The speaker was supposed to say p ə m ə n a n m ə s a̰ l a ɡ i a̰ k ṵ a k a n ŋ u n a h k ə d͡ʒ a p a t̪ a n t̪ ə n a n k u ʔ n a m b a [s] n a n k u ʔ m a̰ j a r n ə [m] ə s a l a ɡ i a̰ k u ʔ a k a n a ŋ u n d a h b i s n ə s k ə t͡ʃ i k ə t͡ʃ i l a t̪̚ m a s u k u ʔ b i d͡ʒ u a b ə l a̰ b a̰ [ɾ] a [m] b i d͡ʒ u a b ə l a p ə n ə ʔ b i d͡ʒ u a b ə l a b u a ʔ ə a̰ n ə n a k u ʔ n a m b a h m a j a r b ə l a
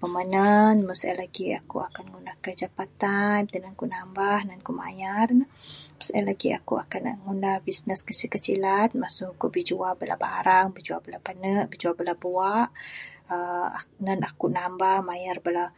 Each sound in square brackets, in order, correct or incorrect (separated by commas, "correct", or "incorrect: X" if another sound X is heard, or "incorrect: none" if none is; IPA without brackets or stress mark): incorrect: h, correct, correct, incorrect: ŋ